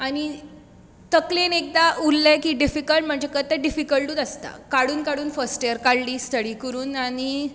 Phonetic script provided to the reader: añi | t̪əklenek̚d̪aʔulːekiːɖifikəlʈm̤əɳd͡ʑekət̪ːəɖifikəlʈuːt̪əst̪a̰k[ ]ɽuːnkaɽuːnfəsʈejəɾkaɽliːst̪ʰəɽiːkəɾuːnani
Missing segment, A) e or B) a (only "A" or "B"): B